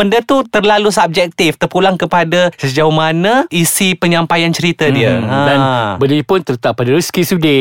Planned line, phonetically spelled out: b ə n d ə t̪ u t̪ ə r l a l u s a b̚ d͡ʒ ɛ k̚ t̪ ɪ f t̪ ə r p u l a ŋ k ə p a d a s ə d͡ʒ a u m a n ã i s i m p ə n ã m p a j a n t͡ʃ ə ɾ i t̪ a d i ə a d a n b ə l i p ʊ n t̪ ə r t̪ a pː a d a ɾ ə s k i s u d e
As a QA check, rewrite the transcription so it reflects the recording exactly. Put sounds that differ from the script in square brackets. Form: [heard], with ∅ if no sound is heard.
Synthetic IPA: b ə n d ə t̪ u t̪ ə r l a l u s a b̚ d͡ʒ ɛ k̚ t̪ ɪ f t̪ ə r p u l a ŋ k ə p a d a s ə d͡ʒ a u m a n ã i s i [∅] p ə [ɲ] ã m p a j a n t͡ʃ ə ɾ i t̪ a d i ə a d a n b ə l i p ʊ n t̪ ə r t̪ a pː a d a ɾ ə s k i s u d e